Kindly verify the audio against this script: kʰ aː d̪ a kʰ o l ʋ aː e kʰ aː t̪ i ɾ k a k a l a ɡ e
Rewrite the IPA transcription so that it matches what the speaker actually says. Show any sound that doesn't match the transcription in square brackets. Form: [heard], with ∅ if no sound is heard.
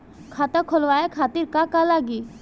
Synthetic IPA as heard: kʰ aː [t̪] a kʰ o l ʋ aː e kʰ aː t̪ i ɾ k a k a l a ɡ [i]